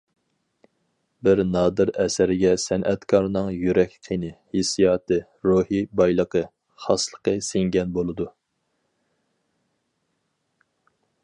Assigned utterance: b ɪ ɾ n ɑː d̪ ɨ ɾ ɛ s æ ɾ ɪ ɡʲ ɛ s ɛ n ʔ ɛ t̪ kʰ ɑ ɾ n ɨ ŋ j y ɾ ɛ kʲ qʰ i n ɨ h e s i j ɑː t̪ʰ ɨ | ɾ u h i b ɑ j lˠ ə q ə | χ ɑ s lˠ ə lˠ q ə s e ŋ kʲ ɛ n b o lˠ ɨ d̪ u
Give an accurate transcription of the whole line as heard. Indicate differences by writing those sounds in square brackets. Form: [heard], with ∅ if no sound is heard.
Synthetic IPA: b ɪ ɾ n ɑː d̪ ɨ ɾ ɛ s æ ɾ ɪ ɡʲ ɛ s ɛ n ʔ ɛ t̪ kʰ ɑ ɾ n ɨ ŋ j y ɾ ɛ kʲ qʰ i n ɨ h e s i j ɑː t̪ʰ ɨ | ɾ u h i b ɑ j lˠ ə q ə | χ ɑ s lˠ ə [∅] q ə s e ŋ [ɡʲ] ɛ n b o lˠ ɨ d̪ u